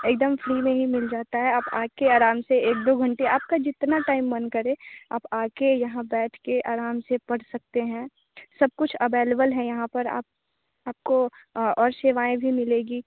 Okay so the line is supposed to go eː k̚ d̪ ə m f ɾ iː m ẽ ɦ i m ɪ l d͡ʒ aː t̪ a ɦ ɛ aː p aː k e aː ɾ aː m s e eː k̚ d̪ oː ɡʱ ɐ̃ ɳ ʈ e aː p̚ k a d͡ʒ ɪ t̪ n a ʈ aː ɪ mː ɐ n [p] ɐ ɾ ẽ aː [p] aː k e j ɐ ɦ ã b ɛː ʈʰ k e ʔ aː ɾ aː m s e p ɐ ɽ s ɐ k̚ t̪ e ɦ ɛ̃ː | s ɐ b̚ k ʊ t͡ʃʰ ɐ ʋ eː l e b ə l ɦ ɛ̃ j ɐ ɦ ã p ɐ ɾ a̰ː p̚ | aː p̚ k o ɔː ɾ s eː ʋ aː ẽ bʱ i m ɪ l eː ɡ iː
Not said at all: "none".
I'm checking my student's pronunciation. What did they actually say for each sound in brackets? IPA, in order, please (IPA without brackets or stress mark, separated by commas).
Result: k, p